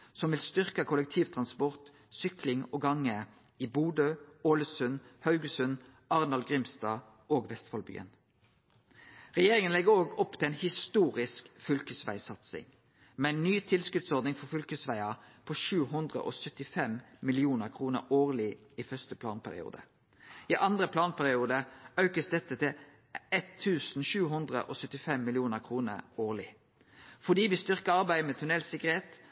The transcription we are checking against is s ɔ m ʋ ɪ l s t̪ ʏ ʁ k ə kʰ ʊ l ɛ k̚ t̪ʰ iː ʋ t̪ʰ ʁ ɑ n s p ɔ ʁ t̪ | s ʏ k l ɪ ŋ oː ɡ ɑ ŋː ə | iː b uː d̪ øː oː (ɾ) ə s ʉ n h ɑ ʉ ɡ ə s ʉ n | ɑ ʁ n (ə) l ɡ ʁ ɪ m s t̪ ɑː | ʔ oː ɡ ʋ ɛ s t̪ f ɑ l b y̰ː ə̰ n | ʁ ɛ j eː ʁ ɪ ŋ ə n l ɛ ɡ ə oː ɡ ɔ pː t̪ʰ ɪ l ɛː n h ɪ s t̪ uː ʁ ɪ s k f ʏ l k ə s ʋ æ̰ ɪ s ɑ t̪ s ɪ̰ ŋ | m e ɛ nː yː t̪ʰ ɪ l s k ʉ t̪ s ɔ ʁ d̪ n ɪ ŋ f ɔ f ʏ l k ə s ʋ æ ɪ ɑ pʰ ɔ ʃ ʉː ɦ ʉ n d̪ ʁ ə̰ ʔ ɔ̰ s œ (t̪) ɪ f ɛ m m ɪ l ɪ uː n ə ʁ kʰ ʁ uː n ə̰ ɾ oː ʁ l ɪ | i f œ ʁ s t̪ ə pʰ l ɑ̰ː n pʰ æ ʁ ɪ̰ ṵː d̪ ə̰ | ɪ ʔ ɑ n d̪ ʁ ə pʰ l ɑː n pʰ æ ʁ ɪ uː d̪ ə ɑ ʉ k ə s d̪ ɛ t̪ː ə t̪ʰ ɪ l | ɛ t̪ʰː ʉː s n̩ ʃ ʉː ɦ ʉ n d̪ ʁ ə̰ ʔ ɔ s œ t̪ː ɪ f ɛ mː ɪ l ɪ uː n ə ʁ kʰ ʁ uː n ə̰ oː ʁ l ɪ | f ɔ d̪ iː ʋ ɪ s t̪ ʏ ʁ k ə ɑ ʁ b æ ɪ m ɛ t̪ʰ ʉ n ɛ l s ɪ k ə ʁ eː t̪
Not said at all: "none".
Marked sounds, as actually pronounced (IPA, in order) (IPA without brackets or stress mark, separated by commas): l, ɑ, t̪